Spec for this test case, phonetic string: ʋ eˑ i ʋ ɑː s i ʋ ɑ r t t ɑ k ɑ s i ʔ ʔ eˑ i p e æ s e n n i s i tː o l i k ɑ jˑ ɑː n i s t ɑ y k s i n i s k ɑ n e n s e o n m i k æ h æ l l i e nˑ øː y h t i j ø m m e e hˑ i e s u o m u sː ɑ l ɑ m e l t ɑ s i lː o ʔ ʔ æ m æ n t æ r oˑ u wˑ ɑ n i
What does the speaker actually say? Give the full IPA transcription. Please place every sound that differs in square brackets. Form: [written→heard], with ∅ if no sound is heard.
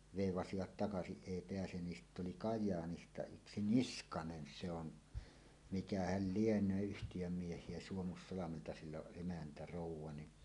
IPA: ʋ eˑ i ʋ [ɑː→ɑ] s i ʋ ɑ [r→∅] t t ɑ k ɑ s i ʔ ʔ eˑ i p e æ s e n n i s i tː o l i k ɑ jˑ ɑː n i s t ɑ y k s i n i s k ɑ n e n s e o n m i k æ h æ l l i e nˑ øː y h t i j ø m m [e→i] e hˑ i e s u o m u sː ɑ l ɑ m e l t ɑ s i lː o ʔ ʔ [æ→e] m æ n t æ r oˑ u wˑ ɑ n i